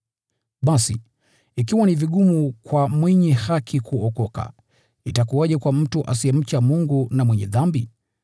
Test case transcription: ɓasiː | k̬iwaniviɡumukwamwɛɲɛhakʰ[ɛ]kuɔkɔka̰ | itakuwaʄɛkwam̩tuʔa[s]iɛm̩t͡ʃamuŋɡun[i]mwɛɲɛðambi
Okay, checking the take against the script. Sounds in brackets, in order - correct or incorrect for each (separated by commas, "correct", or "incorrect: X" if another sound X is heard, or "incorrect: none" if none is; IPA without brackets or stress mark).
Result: incorrect: i, correct, incorrect: a